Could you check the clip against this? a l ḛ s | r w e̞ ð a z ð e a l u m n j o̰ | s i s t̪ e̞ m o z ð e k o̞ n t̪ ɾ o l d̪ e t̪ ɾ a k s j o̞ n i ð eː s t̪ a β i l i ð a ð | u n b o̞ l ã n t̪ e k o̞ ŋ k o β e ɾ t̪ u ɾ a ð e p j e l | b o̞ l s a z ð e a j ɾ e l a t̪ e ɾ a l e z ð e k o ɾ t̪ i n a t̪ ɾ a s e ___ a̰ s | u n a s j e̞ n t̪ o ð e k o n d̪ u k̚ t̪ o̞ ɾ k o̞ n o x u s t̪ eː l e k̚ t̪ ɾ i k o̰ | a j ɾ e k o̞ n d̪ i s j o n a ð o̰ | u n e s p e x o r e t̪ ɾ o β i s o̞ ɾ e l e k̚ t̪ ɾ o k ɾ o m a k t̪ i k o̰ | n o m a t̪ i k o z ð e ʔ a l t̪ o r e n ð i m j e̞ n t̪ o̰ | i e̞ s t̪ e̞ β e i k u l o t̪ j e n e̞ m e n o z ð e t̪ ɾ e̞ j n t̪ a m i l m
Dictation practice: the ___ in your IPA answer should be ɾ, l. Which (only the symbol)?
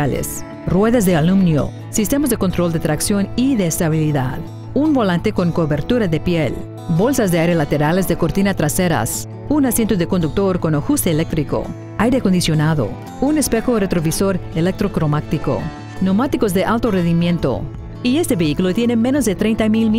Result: ɾ